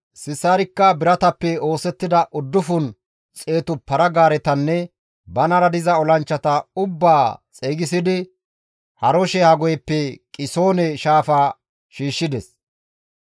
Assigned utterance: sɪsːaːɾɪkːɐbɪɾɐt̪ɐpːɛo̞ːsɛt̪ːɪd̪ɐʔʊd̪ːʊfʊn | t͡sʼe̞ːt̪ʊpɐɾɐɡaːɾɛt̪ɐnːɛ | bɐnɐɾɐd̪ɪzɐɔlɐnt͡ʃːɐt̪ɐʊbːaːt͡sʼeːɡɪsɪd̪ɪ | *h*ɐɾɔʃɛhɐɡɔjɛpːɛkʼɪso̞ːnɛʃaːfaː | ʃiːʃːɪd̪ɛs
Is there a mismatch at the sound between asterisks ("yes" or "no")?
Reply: no